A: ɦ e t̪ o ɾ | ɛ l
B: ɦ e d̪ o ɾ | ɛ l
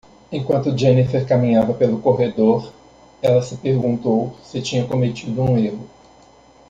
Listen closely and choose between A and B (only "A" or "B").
B